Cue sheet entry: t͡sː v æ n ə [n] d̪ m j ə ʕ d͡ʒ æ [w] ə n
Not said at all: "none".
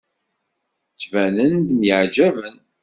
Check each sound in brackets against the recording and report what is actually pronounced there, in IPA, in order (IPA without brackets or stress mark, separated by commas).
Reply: n, v